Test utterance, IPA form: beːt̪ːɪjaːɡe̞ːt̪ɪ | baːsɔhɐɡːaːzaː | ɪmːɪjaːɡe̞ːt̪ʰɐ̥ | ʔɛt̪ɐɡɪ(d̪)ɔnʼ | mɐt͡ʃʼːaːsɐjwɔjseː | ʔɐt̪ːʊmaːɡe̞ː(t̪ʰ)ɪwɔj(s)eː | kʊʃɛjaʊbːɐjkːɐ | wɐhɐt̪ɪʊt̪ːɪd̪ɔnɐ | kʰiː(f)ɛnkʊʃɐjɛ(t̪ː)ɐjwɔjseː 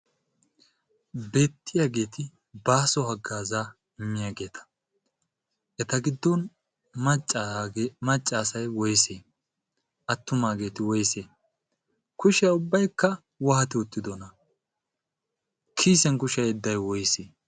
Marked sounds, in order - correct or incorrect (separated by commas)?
incorrect, incorrect, correct, incorrect, incorrect